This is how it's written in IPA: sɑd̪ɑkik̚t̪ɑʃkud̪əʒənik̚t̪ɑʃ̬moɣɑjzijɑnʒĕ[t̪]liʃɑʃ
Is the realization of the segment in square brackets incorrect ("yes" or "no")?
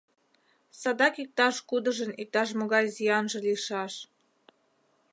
yes